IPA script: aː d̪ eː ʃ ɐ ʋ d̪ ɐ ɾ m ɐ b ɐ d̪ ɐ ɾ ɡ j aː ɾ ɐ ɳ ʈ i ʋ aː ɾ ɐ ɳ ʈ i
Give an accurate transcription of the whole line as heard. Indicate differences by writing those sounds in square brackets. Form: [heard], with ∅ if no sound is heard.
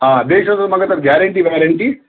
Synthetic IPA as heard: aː d̪ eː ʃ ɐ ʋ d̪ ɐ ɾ m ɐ [ɡ] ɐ [t̪] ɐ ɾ ɡ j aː ɾ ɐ ɳ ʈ i ʋ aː ɾ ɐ ɳ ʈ i